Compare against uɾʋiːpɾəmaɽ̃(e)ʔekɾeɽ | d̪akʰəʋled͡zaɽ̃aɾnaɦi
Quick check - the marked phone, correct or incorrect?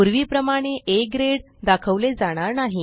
correct